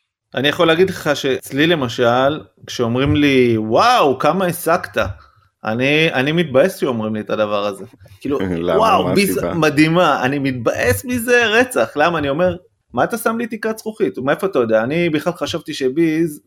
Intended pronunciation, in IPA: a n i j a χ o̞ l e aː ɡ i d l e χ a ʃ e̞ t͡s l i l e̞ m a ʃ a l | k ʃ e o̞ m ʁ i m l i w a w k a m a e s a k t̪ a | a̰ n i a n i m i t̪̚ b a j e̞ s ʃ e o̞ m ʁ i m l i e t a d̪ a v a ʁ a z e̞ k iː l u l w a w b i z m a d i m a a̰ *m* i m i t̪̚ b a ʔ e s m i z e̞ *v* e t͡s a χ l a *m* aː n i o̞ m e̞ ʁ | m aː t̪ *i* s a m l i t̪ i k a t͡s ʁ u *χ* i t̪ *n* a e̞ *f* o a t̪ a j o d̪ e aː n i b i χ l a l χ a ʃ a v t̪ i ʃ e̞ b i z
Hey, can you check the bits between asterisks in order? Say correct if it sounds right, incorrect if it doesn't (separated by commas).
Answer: incorrect, incorrect, correct, incorrect, correct, incorrect, correct